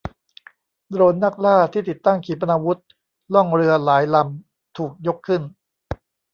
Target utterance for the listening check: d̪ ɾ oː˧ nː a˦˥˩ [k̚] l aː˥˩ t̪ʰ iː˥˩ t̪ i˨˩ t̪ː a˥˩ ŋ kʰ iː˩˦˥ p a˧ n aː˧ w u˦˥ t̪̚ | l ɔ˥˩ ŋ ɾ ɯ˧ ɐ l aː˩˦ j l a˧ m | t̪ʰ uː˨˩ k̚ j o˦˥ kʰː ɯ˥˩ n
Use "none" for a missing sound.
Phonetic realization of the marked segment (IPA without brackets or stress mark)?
k̚